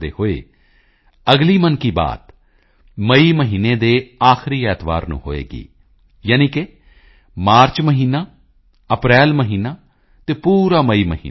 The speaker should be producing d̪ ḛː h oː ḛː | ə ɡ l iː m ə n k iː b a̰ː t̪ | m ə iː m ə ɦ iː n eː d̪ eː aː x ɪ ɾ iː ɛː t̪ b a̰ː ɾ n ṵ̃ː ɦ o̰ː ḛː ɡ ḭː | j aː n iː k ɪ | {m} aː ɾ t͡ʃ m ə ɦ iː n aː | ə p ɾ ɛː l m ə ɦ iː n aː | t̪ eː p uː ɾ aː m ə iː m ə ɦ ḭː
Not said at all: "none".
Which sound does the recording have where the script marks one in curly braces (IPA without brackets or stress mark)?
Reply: m